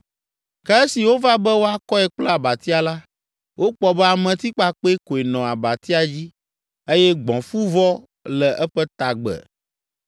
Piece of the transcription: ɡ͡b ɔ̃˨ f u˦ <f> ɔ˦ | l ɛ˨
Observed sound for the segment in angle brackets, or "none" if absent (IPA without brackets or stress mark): v